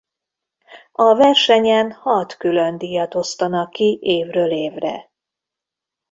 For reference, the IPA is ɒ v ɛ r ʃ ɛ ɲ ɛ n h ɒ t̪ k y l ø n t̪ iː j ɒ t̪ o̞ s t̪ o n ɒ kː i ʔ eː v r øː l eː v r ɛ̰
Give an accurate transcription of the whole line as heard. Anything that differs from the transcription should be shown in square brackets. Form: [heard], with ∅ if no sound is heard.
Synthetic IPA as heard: ɒ v ɛ r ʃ ɛ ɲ ɛ n h ɒ t̪ k y l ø n [d̪] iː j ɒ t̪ o̞ s t̪ [ɒ] n ɒ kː i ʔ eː v r øː l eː v r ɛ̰